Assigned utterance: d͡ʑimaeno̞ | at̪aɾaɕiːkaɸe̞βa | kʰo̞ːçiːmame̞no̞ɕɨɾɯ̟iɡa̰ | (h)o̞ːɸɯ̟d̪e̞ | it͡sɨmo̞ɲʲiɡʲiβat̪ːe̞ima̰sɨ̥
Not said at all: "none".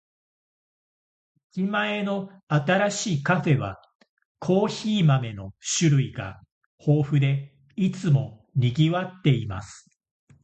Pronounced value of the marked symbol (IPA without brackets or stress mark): h